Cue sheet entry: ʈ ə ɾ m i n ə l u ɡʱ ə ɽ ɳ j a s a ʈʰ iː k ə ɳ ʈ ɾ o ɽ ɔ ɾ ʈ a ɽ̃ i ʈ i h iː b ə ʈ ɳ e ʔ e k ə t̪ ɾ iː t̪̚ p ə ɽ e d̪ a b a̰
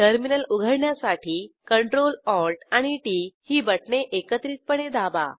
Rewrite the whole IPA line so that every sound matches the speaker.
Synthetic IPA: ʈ ə ɾ m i n ə l u ɡʱ ə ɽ ɳ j a s a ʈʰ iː k ə ɳ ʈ ɾ o l ɔ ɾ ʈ a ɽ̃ i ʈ i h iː b ə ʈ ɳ e ʔ e k ə t̪ ɾ iː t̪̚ p ə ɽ e d̪ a b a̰

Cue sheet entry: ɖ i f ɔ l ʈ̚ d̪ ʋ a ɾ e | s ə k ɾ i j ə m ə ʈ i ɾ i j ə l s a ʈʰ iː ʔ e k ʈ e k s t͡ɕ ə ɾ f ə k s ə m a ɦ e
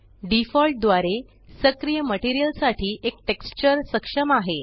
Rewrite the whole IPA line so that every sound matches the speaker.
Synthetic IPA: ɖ i f ɔ l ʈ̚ d̪ ʋ a ɾ e | s ə k ɾ i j ə m ə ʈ i ɾ i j ə l s a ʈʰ iː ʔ e k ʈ e k s t͡ɕ ə ɾ s ə k ʂ ə m a ɦ e

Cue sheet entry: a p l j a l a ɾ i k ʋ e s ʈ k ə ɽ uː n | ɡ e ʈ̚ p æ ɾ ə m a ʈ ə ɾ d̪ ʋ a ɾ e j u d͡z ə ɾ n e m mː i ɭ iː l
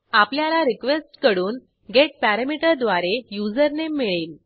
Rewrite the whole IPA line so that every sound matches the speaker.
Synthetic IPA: a p l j a l a ɾ i k ʋ e s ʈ k ə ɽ uː n | ɡ e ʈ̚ p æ ɾ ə m i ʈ ə ɾ d̪ ʋ a ɾ e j u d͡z ə ɾ n e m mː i ɭ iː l

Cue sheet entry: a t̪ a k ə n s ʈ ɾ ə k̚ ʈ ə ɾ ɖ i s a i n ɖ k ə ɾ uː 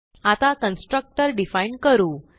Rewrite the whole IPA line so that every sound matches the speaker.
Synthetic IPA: a t̪ a k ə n s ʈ ɾ ə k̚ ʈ ə ɾ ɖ i f a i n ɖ k ə ɾ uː

